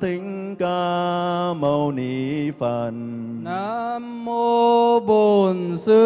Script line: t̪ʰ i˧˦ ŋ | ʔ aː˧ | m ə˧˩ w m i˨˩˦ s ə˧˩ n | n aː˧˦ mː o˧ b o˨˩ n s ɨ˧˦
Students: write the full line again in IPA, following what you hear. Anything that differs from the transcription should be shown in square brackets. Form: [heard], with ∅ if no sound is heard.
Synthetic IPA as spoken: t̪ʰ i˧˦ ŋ | [k] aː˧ | m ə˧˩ w [n] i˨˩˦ [f] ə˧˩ n | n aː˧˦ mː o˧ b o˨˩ n s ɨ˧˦